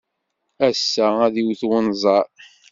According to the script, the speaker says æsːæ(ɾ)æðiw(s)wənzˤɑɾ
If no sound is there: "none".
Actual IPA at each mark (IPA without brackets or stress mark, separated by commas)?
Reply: none, θ